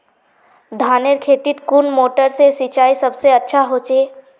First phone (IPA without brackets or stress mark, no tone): d̪ʱ